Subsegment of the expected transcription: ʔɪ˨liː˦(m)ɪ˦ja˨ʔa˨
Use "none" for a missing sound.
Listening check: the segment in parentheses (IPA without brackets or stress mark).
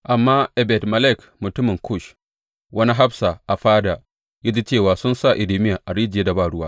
m